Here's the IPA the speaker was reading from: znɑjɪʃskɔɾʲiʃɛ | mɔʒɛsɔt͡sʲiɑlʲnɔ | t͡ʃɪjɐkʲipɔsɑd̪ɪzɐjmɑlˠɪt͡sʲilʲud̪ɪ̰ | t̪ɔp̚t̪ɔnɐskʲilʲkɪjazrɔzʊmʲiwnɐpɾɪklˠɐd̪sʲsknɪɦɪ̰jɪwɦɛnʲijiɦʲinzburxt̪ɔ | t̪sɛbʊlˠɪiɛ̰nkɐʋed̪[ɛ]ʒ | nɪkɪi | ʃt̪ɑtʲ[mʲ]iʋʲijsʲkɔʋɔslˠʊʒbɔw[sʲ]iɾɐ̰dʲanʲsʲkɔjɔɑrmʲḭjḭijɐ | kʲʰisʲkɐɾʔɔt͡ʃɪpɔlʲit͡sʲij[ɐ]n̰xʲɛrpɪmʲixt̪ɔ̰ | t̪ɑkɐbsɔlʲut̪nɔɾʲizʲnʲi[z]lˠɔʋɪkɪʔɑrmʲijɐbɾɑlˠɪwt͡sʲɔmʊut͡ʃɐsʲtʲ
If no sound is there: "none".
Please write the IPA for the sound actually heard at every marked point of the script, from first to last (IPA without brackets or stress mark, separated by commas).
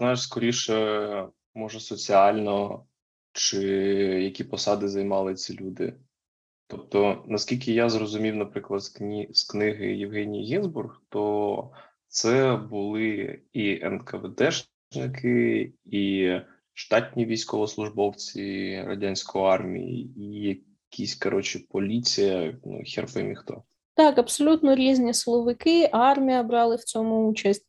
ɛ, nʲ, t͡sʲ, ɐ, s